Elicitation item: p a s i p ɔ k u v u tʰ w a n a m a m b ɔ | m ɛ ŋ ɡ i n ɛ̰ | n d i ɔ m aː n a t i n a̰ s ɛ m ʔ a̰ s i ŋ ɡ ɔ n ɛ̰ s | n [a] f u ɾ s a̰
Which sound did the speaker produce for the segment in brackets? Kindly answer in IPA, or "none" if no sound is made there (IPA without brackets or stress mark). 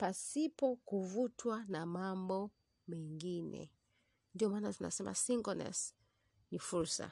i